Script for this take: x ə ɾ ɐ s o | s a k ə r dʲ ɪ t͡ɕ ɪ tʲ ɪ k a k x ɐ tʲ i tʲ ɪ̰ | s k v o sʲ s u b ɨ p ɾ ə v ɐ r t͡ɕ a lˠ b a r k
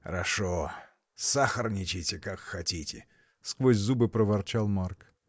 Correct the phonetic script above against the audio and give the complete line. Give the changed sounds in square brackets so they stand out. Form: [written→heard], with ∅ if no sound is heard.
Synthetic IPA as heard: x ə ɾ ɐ [s→ʂ] o | s a [k→x] ə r [dʲ→nʲ] ɪ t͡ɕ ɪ tʲ ɪ k a k x ɐ tʲ i tʲ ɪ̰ | s k v o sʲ [s→z] u b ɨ p ɾ ə v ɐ r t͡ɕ a lˠ [b→m] a r k